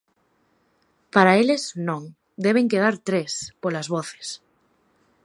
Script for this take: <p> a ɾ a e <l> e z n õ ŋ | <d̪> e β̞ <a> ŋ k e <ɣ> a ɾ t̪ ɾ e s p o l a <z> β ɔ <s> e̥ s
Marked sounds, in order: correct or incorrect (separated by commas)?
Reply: correct, correct, correct, incorrect, incorrect, correct, incorrect